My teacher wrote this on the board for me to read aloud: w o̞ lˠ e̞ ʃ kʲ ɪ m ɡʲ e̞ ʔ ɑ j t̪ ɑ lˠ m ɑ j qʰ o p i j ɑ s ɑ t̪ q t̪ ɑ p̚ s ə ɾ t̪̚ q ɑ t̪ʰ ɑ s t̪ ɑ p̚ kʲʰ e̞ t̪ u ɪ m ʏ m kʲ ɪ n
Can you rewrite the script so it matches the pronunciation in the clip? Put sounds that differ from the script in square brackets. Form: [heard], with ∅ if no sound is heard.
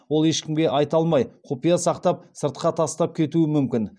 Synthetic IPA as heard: w o̞ lˠ e̞ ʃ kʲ ɪ m ɡʲ e̞ ʔ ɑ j t̪ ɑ lˠ m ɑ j qʰ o p i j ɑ s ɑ [∅] q t̪ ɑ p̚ s ə ɾ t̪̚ q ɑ t̪ʰ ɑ s t̪ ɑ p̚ kʲʰ e̞ t̪ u ɪ m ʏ m kʲ ɪ n